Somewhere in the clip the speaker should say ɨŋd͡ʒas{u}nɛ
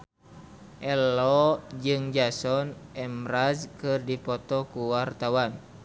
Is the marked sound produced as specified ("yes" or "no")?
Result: no